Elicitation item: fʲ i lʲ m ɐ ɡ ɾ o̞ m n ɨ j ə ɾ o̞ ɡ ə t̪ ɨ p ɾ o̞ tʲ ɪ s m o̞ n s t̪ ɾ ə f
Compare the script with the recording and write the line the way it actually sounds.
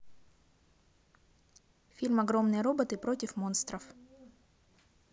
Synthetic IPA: fʲ i lʲ m ɐ ɡ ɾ o̞ m n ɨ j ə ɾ o̞ b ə t̪ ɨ p ɾ o̞ tʲ ɪ f m o̞ n s t̪ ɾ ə f